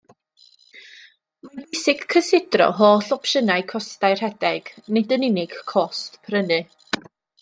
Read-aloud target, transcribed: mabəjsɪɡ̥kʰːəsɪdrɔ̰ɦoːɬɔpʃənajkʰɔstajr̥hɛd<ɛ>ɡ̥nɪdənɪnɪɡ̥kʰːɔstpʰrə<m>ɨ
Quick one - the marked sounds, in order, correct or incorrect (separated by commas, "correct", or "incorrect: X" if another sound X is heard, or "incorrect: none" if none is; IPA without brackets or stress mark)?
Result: correct, incorrect: n